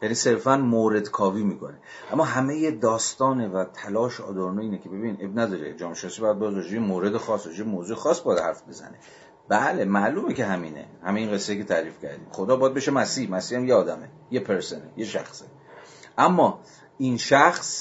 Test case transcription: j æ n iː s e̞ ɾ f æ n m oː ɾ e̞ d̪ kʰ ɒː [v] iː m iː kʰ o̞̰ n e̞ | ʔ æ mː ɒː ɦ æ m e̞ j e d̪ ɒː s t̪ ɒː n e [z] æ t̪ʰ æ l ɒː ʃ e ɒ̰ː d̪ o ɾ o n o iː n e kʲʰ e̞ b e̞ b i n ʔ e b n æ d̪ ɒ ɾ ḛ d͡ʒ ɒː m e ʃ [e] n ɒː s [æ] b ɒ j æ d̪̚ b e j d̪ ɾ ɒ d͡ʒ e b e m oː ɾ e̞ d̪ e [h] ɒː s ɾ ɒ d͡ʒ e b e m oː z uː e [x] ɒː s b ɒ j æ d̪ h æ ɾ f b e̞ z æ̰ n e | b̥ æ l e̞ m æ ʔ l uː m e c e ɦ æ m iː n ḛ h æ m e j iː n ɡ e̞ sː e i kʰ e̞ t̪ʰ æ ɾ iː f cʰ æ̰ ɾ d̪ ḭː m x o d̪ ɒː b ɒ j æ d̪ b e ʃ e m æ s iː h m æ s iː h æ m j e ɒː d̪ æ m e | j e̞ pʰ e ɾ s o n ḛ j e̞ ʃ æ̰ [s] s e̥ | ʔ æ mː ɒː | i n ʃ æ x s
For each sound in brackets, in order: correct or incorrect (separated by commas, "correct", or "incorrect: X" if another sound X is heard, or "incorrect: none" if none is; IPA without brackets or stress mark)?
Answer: correct, incorrect: v, correct, incorrect: i, incorrect: x, correct, incorrect: x